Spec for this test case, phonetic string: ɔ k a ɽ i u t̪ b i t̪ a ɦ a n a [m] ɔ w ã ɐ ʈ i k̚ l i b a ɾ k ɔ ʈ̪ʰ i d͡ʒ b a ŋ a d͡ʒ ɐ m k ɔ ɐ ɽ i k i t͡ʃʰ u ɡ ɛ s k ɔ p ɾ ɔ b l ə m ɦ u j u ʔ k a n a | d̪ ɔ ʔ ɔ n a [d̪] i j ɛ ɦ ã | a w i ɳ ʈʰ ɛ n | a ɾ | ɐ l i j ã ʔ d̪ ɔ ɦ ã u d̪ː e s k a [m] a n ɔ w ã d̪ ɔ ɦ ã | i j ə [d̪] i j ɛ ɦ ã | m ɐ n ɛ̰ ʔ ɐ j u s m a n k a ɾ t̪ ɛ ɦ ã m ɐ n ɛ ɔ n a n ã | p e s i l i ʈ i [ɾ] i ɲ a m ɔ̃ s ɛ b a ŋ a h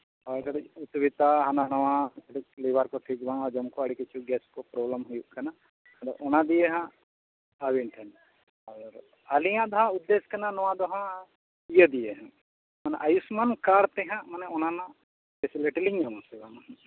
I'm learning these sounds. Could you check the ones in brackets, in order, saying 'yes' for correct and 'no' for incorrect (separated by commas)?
no, yes, no, yes, no